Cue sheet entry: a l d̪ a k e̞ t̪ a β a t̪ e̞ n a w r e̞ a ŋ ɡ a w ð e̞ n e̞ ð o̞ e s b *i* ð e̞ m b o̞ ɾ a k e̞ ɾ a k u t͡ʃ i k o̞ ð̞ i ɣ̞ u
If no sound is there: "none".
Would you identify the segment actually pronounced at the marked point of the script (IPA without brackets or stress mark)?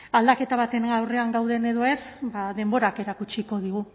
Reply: a